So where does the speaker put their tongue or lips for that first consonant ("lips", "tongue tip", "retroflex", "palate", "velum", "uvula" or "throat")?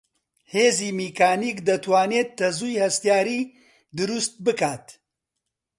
throat